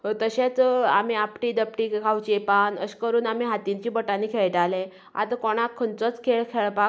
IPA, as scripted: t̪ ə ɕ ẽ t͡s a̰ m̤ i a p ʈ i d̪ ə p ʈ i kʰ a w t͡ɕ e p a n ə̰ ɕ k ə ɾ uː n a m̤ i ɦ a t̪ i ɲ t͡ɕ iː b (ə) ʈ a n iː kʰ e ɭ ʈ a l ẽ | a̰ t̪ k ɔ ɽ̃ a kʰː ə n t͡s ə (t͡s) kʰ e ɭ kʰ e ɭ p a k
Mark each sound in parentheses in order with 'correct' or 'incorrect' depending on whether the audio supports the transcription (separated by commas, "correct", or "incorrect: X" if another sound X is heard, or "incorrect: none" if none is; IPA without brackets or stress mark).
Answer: correct, correct